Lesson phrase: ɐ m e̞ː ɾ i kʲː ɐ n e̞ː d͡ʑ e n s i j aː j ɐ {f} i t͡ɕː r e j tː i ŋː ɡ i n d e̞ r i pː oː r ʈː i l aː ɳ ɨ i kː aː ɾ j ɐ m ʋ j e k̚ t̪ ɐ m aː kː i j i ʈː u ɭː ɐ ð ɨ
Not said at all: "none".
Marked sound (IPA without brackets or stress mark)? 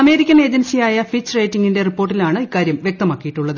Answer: f